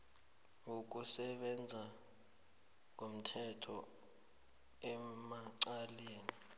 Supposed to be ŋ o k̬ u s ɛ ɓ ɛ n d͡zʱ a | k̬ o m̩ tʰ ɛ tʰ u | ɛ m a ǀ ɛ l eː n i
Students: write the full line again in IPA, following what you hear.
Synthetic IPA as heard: ŋ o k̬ u s ɛ ɓ ɛ n d͡zʱ a | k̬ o m̩ tʰ ɛ tʰ ɔ | ɛ m a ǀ a l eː n i

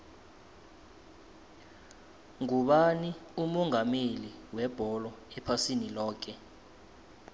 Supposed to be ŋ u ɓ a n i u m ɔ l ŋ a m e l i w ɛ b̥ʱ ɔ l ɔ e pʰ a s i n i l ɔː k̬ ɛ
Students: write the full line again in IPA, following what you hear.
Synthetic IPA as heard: ŋ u ɓ a n i u m ɔ ŋ a m e l i w ɛ b̥ʱ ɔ l ɔ ɛ pʰ a s i n i l ɔː k̬ ɛ

